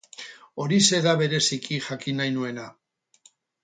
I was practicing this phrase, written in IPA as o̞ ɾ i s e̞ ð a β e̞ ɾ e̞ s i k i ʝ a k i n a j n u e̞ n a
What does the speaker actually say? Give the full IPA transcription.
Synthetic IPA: o̞ ɾ i s e̞ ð a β e̞ ɾ e̞ s i k i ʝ a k i n a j n u e̞ n a